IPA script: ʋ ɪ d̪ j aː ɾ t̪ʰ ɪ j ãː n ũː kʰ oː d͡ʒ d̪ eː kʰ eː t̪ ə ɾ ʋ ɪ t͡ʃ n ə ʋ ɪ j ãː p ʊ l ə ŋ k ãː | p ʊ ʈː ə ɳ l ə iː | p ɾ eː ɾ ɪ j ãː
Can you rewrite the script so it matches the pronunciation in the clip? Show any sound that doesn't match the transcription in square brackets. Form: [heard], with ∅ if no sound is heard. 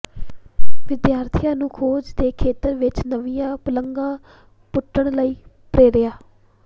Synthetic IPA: ʋ ɪ d̪ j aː ɾ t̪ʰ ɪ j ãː n ũː kʰ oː d͡ʒ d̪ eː kʰ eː t̪ ə ɾ ʋ ɪ t͡ʃ n ə ʋ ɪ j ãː p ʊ l ə ŋ [ɡ] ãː | p ʊ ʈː ə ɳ l ə iː | p ɾ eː ɾ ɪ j [aː]